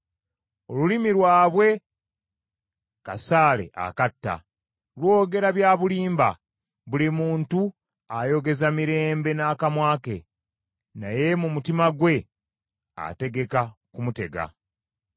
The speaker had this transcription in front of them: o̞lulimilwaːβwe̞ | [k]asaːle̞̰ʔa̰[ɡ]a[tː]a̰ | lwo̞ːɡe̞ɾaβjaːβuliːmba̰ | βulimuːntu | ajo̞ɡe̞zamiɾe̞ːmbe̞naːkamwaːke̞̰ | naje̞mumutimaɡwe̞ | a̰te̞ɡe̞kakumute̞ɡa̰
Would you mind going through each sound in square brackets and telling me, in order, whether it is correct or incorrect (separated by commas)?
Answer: correct, incorrect, correct